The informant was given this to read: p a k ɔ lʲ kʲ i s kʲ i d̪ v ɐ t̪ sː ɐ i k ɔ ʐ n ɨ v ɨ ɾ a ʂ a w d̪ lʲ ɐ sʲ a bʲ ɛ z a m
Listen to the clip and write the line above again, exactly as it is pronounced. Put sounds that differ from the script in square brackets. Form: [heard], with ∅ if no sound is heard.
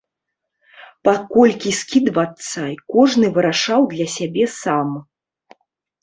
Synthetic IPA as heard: p a k ɔ lʲ kʲ i s kʲ i d̪ v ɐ t̪ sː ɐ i k ɔ ʐ n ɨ v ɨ ɾ a ʂ a w d̪ lʲ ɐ sʲ a bʲ ɛ [s] a m